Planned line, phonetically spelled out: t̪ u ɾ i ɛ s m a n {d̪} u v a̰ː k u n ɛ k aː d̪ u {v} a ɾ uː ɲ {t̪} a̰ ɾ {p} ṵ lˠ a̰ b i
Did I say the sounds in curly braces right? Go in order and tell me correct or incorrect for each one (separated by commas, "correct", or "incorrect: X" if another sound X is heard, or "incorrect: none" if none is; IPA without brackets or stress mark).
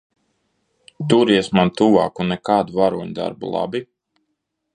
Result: incorrect: t̪, correct, incorrect: d̪, incorrect: b